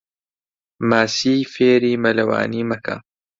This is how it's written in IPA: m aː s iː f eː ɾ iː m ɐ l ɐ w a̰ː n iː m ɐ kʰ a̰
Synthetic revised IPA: m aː s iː f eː ɾ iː m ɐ l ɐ w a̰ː n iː m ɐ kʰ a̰

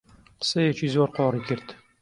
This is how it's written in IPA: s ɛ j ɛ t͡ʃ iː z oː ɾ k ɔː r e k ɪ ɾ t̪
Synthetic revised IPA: s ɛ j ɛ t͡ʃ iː z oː ɾ q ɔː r i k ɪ ɾ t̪

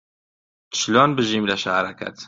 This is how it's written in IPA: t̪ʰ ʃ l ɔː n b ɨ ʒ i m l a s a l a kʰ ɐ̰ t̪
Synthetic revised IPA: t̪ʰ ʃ l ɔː n b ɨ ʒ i m l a ʃ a ɾ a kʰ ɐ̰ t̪

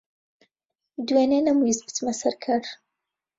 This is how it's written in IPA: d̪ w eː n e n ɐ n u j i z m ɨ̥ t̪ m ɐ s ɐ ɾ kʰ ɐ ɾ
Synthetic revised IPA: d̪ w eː n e n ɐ m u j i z b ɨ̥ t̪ m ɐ s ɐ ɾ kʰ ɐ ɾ

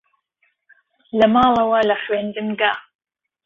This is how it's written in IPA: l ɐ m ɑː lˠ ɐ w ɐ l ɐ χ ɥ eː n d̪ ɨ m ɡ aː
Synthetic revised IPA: l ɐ m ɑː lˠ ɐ w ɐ l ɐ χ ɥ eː n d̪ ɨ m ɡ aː

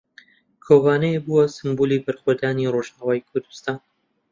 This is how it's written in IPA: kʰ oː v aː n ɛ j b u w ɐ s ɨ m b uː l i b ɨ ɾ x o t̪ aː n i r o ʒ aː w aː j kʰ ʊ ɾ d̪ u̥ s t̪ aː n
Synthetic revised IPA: kʰ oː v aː n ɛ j b u w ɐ s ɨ m b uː l i b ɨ ɾ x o d̪ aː n i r o ʒ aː w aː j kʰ ʊ ɾ d̪ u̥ s t̪ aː n

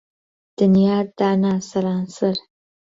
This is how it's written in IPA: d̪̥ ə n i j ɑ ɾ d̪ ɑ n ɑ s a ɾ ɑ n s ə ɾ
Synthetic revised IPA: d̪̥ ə n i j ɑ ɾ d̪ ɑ n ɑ s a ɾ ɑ n s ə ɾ

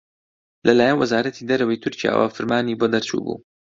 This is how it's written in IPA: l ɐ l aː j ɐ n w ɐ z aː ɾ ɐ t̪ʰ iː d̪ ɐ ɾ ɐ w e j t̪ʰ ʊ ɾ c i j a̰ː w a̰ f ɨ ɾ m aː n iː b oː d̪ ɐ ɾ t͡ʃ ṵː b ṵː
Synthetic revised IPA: l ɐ l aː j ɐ n w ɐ z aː ɾ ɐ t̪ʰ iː d̪ ɐ ɾ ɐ w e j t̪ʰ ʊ ɾ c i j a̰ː w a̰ f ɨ ɾ m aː n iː b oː d̪ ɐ ɾ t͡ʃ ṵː b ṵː

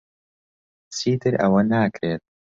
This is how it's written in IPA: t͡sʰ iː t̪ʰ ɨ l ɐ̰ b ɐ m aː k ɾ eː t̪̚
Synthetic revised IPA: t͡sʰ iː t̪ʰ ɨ ɾ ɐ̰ w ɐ n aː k ɾ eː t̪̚

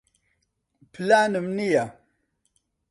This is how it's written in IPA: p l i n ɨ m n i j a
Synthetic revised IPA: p l a n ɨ m n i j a

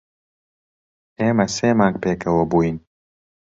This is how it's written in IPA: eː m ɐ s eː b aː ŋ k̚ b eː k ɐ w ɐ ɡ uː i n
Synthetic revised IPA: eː m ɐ s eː m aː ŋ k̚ p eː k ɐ w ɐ b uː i n

